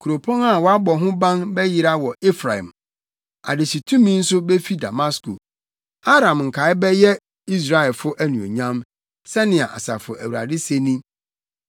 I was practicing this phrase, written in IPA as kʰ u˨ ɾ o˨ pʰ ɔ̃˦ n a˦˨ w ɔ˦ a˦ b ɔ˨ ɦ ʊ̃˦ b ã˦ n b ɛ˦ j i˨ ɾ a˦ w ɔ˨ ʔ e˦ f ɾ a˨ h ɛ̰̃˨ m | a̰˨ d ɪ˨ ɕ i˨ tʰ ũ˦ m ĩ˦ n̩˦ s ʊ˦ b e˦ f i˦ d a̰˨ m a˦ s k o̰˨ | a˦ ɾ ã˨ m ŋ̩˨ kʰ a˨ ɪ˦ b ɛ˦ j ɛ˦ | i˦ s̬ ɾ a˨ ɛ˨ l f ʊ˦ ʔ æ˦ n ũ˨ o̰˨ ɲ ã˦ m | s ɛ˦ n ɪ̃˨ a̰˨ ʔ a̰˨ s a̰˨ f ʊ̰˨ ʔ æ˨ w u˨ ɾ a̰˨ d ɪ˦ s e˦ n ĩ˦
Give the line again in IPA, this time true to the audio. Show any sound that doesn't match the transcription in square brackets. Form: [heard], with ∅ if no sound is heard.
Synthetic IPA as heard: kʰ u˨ ɾ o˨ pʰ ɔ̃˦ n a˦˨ w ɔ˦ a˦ b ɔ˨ ɦ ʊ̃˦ b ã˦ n b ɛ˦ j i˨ ɾ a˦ w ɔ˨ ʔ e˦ f ɾ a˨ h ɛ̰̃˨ m | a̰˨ d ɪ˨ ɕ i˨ tʰ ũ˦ m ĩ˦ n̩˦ s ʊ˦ b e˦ f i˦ d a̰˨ m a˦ s k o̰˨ | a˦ ɾ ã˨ m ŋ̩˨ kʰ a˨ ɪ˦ b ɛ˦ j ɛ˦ | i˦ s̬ ɾ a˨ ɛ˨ l f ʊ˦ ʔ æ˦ n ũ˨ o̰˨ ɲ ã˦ m | s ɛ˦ n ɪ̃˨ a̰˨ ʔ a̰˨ s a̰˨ f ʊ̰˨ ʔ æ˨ w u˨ ɾ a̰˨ d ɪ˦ s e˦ n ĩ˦